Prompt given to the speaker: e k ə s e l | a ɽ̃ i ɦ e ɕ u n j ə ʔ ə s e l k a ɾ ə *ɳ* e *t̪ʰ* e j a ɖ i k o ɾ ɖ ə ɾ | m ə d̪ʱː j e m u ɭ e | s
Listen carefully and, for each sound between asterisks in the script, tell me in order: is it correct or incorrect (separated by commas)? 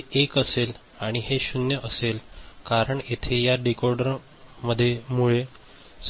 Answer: correct, correct